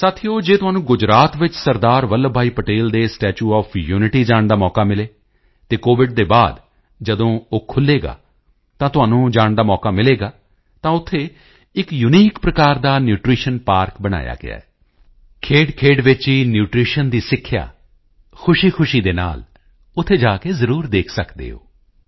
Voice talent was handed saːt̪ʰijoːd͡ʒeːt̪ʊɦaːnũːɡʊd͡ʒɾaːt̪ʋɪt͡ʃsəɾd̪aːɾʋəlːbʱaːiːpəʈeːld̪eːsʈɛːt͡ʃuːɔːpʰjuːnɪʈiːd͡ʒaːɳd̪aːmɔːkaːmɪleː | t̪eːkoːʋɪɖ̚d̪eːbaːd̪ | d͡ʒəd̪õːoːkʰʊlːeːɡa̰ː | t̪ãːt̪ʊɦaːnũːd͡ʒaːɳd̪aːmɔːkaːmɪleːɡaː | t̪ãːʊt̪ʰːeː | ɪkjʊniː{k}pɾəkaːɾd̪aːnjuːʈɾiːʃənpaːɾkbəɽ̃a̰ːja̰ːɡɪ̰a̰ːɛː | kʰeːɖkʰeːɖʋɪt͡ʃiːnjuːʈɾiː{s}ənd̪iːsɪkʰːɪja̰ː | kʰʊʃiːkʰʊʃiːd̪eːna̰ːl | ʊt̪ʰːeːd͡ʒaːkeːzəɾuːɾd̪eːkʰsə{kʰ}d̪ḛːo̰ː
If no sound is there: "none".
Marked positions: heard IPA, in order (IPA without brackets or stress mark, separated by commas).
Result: k, ʃ, k